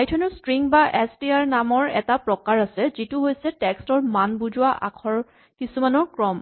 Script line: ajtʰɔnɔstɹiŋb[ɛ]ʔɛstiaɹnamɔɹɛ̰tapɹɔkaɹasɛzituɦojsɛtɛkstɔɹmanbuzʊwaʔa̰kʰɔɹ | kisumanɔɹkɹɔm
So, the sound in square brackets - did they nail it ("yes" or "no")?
no